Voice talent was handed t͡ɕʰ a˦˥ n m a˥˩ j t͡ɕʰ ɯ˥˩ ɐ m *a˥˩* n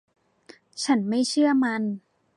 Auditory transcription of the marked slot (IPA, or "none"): a˧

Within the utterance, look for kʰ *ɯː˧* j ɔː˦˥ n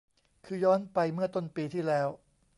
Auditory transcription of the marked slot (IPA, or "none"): ɯː˧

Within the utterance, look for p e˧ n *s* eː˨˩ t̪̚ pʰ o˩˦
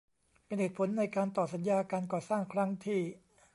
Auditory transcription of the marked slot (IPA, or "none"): h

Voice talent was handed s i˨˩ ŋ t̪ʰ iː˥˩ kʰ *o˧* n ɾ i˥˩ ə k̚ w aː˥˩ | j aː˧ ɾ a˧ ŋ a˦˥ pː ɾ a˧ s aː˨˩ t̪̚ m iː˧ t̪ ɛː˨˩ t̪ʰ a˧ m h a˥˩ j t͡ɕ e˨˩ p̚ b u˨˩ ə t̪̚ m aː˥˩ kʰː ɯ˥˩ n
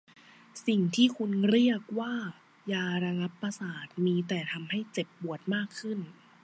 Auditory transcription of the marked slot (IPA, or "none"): u˧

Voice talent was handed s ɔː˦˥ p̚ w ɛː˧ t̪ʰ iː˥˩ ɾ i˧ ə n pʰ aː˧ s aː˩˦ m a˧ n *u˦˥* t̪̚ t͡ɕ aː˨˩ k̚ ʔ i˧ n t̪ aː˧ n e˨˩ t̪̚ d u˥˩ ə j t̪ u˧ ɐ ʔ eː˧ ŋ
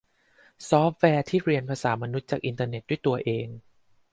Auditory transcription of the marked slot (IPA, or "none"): u˦˥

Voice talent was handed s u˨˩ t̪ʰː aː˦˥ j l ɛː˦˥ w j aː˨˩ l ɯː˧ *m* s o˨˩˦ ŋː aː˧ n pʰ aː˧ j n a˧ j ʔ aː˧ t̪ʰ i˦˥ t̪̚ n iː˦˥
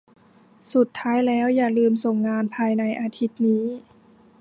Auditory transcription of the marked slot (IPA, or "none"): m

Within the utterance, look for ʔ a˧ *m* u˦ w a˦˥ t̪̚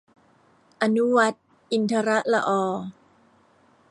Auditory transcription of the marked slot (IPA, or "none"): n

